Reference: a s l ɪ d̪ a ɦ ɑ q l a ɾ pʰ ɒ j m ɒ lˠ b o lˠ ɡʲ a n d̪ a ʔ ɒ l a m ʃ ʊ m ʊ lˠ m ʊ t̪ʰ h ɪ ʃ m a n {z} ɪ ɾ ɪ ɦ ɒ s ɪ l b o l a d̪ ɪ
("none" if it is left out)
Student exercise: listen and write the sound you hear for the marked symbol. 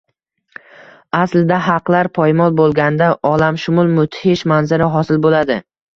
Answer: z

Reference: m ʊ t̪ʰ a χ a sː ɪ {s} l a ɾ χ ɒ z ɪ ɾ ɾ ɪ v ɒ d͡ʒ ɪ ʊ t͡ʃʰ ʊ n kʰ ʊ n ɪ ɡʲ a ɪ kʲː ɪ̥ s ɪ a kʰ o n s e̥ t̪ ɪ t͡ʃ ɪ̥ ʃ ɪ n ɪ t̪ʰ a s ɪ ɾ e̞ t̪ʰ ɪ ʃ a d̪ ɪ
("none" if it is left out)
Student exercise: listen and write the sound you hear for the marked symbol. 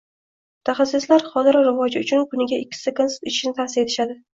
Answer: s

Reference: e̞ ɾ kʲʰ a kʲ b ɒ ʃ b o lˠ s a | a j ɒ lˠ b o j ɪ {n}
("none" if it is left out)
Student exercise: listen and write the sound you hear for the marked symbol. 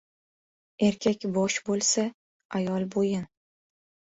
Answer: n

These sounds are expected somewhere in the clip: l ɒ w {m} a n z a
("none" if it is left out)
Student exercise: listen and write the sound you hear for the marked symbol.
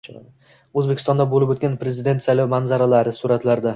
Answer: m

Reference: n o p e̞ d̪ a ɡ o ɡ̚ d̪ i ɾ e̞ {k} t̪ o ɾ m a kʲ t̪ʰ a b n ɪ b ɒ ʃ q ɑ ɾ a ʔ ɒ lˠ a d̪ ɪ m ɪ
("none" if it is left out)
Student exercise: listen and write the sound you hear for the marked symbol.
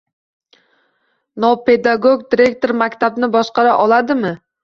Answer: k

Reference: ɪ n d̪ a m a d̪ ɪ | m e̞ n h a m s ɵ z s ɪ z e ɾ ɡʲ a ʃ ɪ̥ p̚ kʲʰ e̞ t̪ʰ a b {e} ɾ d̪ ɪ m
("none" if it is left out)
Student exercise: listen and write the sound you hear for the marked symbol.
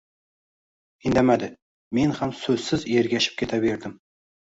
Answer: e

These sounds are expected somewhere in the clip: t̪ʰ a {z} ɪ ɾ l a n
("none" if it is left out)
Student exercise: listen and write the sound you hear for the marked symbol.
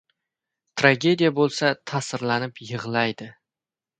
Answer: s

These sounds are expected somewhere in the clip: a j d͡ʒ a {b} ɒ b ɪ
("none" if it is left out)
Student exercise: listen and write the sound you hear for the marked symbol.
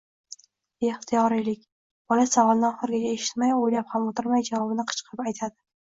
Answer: v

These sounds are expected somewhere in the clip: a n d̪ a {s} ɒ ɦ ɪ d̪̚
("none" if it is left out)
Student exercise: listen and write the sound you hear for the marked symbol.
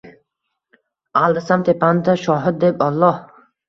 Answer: ʃ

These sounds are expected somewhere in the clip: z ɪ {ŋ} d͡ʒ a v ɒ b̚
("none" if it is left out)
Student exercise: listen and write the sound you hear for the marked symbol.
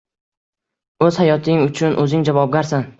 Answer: ŋ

